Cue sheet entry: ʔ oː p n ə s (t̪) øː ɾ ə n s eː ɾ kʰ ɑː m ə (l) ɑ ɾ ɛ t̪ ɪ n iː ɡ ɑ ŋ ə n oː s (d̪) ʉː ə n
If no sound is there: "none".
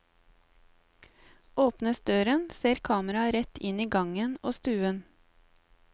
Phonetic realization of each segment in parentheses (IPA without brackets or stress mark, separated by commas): d̪, ɾ, t̪